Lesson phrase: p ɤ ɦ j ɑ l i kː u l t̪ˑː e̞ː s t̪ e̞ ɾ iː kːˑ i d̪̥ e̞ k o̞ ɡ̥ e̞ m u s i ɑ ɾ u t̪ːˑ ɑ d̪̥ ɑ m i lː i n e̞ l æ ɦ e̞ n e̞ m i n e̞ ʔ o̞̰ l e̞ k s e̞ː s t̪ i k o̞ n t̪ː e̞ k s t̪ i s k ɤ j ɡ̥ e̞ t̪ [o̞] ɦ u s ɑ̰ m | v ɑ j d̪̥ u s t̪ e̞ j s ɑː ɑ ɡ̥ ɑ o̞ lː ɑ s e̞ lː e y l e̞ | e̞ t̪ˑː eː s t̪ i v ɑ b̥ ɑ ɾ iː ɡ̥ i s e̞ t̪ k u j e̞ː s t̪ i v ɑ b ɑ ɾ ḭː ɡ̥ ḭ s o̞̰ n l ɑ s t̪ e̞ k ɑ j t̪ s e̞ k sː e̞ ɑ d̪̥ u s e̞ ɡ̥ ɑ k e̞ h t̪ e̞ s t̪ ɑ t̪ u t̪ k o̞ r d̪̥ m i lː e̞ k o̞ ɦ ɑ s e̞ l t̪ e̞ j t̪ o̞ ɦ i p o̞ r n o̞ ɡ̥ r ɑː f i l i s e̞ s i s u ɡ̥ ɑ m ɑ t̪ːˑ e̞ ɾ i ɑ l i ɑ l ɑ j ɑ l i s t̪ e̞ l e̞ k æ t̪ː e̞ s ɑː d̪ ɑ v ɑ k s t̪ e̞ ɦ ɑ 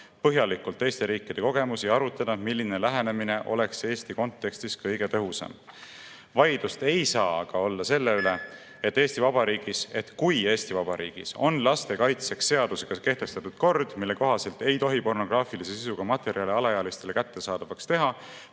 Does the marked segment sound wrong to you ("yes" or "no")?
yes